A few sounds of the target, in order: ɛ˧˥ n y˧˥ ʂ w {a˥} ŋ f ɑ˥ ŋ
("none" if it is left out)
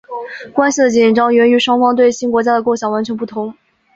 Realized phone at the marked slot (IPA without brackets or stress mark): ɑ˥